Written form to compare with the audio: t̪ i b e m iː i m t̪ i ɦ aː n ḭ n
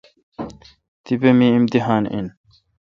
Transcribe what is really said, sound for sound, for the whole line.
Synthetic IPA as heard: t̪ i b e m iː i m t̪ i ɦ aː n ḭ n